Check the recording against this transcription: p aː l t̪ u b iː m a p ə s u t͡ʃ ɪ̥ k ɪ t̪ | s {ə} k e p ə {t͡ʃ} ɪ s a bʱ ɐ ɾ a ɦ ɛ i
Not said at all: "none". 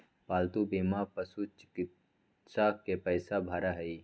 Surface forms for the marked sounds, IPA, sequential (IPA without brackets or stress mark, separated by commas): a, none